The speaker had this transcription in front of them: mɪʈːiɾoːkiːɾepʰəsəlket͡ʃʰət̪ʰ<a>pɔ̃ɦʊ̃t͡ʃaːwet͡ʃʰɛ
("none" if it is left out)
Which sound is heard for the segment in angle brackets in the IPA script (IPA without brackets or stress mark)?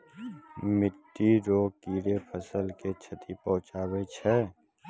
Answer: i